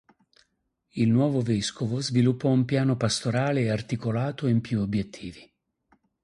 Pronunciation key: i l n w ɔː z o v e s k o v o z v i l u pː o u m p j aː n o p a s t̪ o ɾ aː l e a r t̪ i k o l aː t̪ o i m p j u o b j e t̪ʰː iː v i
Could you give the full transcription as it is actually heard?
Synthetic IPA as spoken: i l n w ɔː v o v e s k o v o z v i l u pː ɔ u m p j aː n o p a s t̪ o ɾ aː l e a r t̪ i k o l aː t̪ o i m p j u o b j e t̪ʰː iː v i

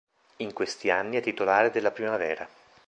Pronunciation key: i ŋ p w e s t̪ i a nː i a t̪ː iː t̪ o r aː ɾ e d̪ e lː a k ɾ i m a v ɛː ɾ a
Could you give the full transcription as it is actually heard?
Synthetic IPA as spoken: i ŋ k w e s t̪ i a nː i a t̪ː i t̪ o l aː ɾ e d̪ e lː a p ɾ i m a v ɛː ɾ a

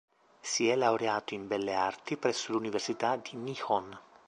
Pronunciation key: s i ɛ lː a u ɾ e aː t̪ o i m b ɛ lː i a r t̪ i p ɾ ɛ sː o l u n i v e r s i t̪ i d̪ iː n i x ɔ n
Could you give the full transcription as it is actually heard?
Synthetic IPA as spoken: s i ɛ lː a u ɾ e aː t̪ o i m b ɛ lː e a r t̪ i p ɾ ɛ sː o l u n i v e r s i t̪ a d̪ i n i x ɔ n

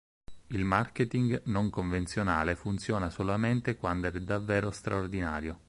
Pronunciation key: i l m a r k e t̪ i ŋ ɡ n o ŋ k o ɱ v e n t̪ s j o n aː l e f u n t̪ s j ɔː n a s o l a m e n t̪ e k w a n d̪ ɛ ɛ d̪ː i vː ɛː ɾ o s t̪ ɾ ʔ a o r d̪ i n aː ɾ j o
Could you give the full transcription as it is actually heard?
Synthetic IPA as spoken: i l m a r k e t̪ i ŋ ɡ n o ŋ k o ɱ v e n t̪ s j o n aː l e f u n t̪ s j ɔː n a s o l a m e n t̪ e k w a n d̪ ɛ ɛ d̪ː a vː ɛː ɾ o s t̪ ɾ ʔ a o r d̪ i n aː ɾ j o

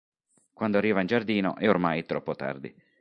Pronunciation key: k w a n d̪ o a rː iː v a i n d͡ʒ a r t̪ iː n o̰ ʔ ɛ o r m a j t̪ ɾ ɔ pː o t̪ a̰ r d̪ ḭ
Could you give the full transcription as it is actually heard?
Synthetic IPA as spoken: k w a n d̪ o a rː iː v a i n d͡ʒ a r d̪ iː n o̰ ʔ ɛ o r m a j t̪ ɾ ɔ pː o t̪ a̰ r d̪ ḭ

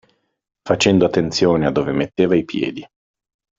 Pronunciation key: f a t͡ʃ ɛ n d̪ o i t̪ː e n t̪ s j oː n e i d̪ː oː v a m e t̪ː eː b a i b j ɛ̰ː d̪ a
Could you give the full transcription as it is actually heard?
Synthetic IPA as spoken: f a t͡ʃ ɛ n d̪ o a t̪ː e n t̪ s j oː n e a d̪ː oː v e m e t̪ː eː v a i p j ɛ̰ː d̪ i

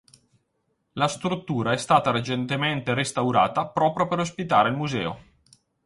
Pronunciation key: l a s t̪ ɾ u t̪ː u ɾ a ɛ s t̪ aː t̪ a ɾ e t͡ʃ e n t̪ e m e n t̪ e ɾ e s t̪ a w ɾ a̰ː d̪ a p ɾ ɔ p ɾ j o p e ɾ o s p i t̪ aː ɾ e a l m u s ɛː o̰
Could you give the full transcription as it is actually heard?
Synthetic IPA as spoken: l a s t̪ ɾ u t̪ː uː ɾ a ɛ s t̪ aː t̪ a ɾ e t͡ʃ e n t̪ e m e n t̪ e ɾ e s t̪ a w ɾ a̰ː t̪ a p ɾ ɔː p ɾ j o p e ɾ o s p i t̪ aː ɾ e i l m u z ɛː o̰

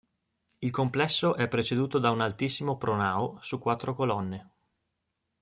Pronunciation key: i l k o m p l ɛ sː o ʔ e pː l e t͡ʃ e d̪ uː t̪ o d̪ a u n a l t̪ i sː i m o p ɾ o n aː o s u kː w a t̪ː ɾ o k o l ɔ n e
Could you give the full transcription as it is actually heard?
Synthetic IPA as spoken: i l k o m p l ɛ sː o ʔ ɛ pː ɾ e t͡ʃ e d̪ uː t̪ o d̪ a u n a l t̪ i sː i m o p ɾ o n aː o s u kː w a t̪ː ɾ o k o l ɔ nː e

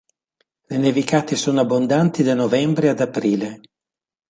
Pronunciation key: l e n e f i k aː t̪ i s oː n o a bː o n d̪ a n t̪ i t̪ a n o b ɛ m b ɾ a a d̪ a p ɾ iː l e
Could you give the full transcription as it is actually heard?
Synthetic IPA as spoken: l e n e v i k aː t̪ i s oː n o a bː o n d̪ a n t̪ i d̪ a n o v ɛ m b ɾ e a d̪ a p ɾ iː l e

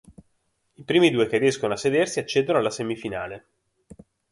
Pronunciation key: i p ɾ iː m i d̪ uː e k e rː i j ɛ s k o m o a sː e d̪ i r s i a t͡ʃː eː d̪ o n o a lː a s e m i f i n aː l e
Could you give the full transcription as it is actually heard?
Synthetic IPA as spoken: i p ɾ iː m i d̪ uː e k e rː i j ɛ s k o n o a sː e d̪ e r s i a t͡ʃː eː d̪ o n o a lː a s e m i f i n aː l e

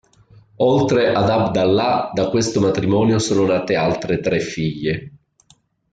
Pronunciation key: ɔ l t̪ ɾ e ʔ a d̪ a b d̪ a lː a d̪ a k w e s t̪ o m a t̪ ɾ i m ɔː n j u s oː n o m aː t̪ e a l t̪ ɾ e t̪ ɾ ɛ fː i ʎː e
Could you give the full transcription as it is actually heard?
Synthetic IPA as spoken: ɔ l t̪ ɾ e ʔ a d̪ a b d̪ a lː a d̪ a k w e s t̪ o m a t̪ ɾ i m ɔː n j o s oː n o n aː t̪ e a l t̪ ɾ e t̪ ɾ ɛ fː i ʎː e

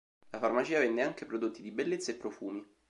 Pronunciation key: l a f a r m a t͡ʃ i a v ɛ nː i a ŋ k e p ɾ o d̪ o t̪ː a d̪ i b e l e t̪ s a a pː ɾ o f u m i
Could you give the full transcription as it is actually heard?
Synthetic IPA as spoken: l a f a r m a t͡ʃ iː a v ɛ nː e a ŋ k e p ɾ o d̪ o t̪ː i d̪ i b e lː e t̪ s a e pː ɾ o f uː m i

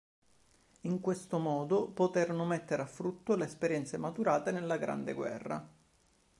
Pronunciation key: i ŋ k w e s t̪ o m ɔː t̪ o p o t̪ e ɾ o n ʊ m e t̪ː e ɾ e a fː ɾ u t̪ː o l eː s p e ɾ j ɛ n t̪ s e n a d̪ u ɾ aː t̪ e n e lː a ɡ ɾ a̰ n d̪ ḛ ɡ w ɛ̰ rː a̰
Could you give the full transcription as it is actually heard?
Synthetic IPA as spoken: i ŋ k w e s t̪ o m ɔː d̪ o p o t̪ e ɾ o n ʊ m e t̪ː e ɾ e a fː ɾ u t̪ː o l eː s p e ɾ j ɛ n t̪ s e m a t̪ u ɾ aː t̪ e n e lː a ɡ ɾ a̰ n d̪ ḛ ɡ w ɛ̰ rː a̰

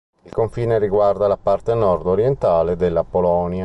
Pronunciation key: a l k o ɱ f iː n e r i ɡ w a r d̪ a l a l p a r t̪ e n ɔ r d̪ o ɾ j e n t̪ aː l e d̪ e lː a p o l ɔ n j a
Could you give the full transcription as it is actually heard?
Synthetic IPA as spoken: i l k o ɱ f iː n e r i ɡ w a r d̪ a l a p a r t̪ e n ɔ r d̪ o ɾ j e n t̪ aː l e d̪ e lː a p o l ɔ n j a

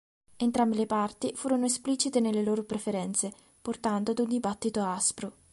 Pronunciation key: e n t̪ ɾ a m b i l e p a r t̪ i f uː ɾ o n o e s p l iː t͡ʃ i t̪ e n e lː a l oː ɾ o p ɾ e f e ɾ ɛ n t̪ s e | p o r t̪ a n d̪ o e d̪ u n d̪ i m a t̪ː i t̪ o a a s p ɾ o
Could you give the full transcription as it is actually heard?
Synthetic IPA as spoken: e n t̪ ɾ a m b i l e p a r t̪ i f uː ɾ o n o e s p l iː t͡ʃ i t̪ e n e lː e l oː ɾ o p ɾ e f e ɾ ɛ n t̪ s e | p o r t̪ a n d̪ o a d̪ u n d̪ i b a t̪ː i t̪ o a a s p ɾ o

